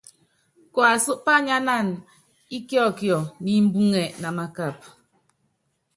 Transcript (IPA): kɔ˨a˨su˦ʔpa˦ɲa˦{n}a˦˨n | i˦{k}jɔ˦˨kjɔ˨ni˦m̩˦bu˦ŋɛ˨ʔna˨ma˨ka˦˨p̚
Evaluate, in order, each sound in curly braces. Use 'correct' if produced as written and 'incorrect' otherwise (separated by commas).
correct, correct